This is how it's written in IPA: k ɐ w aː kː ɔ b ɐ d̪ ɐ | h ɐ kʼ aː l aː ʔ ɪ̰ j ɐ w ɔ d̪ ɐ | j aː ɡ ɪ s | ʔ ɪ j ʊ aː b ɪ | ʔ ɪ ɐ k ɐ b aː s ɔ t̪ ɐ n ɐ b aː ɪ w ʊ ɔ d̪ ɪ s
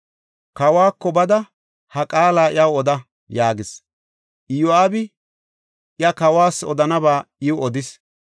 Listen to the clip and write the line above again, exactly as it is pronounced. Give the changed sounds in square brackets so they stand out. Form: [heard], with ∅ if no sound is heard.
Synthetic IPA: k ɐ w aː kː ɔ b ɐ d̪ ɐ | h ɐ kʼ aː l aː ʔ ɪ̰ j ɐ w ɔ d̪ ɐ | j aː ɡ ɪ s | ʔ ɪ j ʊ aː b ɪ | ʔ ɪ ɐ k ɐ [w] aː s ɔ [d̪] ɐ n ɐ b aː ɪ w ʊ ɔ d̪ ɪ s